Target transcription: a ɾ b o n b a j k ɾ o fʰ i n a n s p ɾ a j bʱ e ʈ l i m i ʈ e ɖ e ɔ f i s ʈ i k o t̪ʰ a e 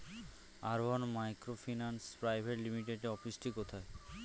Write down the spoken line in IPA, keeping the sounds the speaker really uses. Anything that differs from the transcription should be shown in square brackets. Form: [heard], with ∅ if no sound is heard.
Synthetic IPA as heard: a ɾ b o n [m] a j k ɾ o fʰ i n a n s p ɾ a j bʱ e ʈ l i m i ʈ e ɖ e ɔ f i s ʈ i k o t̪ʰ a e